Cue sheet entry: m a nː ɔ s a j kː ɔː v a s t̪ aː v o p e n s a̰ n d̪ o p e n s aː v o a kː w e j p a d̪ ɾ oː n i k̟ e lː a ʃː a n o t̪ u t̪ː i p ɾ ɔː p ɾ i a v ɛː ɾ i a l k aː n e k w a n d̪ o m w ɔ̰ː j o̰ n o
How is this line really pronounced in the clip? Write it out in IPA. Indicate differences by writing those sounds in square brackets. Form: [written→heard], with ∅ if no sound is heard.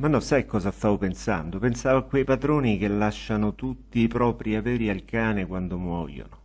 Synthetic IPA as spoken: m a nː ɔ s a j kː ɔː [v→z] a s t̪ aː v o p e n s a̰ n d̪ o p e n s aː v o a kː w e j p a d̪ ɾ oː n i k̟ e lː a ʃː a n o t̪ u t̪ː i p ɾ ɔː p ɾ i a v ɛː ɾ i a l k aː n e k w a n d̪ o m w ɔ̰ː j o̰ n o

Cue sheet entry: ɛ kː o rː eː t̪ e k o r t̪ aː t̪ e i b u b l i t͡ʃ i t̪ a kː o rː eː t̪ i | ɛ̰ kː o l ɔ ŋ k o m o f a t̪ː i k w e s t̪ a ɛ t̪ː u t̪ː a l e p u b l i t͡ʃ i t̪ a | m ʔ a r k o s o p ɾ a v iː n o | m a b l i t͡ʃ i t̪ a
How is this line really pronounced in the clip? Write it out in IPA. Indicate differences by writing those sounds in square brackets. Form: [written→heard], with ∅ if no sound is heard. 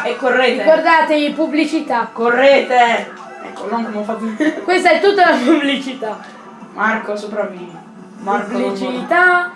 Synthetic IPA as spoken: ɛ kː o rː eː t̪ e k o r [t̪→d̪] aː t̪ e i [b→p] u b l i t͡ʃ i t̪ a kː o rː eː t̪ [i→e] | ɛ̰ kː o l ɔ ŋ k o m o f a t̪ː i k w e s t̪ a ɛ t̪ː u t̪ː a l [e→a] p u b l i t͡ʃ i t̪ a | m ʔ a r k o s o p ɾ a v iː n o | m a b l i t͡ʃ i t̪ a

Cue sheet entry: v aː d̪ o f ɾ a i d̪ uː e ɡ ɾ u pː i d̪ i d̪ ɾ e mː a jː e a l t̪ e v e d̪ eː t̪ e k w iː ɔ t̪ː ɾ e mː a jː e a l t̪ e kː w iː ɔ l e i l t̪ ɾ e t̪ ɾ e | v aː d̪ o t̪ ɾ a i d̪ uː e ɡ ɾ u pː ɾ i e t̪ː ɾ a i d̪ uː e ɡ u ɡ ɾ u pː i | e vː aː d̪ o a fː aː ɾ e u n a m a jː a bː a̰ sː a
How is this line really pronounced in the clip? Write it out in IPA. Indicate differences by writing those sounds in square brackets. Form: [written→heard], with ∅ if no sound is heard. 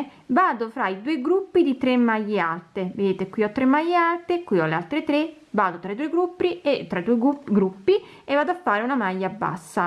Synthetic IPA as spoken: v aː d̪ o f ɾ a i d̪ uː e ɡ ɾ u pː i d̪ i [d̪→t̪] ɾ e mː a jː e a l t̪ e v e d̪ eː t̪ e k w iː ɔ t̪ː ɾ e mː a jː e a l t̪ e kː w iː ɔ l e [i→a] l t̪ ɾ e t̪ ɾ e | v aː d̪ o t̪ ɾ a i d̪ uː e ɡ ɾ u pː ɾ i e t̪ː ɾ a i d̪ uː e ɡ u ɡ ɾ u pː i | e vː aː d̪ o a fː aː ɾ e u n a m a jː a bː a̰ sː a

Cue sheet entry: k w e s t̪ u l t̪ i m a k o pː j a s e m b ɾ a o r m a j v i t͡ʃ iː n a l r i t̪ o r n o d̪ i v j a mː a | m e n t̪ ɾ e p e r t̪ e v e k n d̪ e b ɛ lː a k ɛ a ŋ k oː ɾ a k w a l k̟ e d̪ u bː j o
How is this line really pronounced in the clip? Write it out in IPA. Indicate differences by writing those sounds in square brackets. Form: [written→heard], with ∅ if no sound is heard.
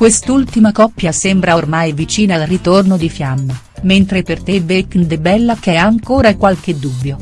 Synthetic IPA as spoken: k w e s t̪ u l t̪ i m a k [o→ɔ] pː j a s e m b ɾ a o r m a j v i t͡ʃ iː n a l r i t̪ o r n o d̪ i [v→f] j a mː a | m e n t̪ ɾ e p e r t̪ e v e k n d̪ e b ɛ lː a k ɛ a ŋ k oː ɾ a k w a l k̟ e d̪ u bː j o

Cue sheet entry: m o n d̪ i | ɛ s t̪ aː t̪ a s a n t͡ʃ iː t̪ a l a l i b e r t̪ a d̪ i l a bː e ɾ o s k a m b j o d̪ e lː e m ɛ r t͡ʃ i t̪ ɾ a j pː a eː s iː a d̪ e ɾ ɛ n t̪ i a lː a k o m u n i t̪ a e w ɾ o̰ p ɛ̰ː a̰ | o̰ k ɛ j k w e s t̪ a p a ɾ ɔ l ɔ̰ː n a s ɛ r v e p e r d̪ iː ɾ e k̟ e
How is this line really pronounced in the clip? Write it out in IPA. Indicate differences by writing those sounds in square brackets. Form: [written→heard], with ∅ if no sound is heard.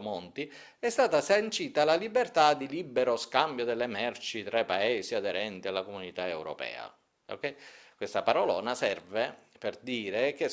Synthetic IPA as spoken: m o n [d̪→t̪] i | ɛ s t̪ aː t̪ a s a n t͡ʃ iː t̪ a l a l i b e r t̪ a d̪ i l [a→i] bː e ɾ o s k a m b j o d̪ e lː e m ɛ r t͡ʃ i t̪ ɾ a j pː a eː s [iː→i] a d̪ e ɾ ɛ n t̪ i a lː a k o m u n i t̪ a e w ɾ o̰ p ɛ̰ː a̰ | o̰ k ɛ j k w e s t̪ a p a ɾ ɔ l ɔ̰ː n a s ɛ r v e p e r d̪ iː ɾ e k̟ e

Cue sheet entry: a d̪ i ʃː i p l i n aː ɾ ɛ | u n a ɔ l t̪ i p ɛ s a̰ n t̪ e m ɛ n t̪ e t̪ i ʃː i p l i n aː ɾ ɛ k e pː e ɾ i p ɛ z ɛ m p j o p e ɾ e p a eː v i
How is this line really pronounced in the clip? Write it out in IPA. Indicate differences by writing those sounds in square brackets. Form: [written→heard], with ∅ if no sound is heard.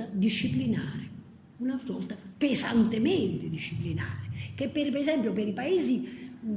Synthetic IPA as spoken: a d̪ i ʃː i p l i n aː ɾ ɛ | u n a ɔ l t̪ [i→a] p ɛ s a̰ n t̪ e m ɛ n t̪ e [t̪→d̪] i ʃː i p l i n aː ɾ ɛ k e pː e ɾ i p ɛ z ɛ m p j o p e ɾ [e→i] p a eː [v→z] i

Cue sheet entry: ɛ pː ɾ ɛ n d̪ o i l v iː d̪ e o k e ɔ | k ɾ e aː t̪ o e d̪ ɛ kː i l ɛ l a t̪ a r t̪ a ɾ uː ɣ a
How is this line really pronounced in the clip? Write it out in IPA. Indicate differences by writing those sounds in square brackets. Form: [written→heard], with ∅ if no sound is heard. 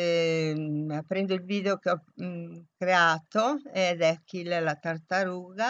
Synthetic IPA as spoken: [ɛ→a] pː ɾ ɛ n d̪ o i l v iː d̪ e o k e ɔ | k ɾ e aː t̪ o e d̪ ɛ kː i l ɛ l a t̪ a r t̪ a ɾ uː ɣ a

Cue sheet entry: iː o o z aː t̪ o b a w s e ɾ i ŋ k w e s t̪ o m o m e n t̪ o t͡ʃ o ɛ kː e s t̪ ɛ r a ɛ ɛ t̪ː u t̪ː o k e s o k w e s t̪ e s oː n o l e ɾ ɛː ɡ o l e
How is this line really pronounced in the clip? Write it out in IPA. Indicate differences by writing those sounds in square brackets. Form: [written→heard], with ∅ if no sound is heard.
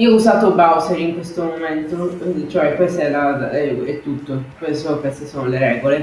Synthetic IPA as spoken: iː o [o→u] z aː t̪ o b a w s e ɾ i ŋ k w e s t̪ o m o m e n t̪ o t͡ʃ o ɛ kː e s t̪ ɛ [r→l] a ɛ ɛ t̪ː u t̪ː o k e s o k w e s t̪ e s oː n o l e ɾ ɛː ɡ o l e

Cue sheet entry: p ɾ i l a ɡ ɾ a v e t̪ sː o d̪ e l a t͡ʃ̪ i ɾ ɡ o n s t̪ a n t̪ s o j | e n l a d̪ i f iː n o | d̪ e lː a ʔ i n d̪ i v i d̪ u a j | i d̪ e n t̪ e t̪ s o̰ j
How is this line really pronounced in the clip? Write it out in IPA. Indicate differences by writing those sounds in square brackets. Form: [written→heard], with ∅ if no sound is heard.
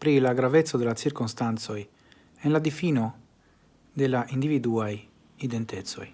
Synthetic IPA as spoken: p ɾ i l a ɡ ɾ a v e t̪ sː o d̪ e l a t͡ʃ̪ i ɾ [ɡ→k] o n s t̪ a n t̪ s o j | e n l a d̪ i f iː n o | d̪ e [lː→l] a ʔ i n d̪ i v i d̪ u a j | i d̪ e n t̪ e t̪ s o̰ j

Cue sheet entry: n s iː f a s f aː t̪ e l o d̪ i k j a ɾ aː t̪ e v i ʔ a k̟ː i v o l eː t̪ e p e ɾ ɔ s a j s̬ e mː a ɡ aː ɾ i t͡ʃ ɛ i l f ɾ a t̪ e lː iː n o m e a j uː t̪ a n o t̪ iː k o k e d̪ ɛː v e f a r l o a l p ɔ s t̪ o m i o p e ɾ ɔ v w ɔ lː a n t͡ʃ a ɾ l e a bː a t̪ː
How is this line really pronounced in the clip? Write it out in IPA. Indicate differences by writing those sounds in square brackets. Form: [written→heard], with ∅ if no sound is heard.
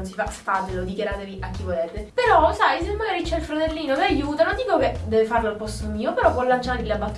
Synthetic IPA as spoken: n s [iː→i] f a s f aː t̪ e l o d̪ i k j a ɾ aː t̪ e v i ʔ a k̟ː i v o l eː t̪ e p e ɾ ɔ s a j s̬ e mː a ɡ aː ɾ i t͡ʃ ɛ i l f ɾ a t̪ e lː iː n o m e a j uː t̪ a n o [t̪→d̪] iː k o k e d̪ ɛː v e f a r l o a l p ɔ s t̪ o m [i→iː] o p e ɾ ɔ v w ɔ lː a n t͡ʃ a ɾ l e a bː a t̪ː

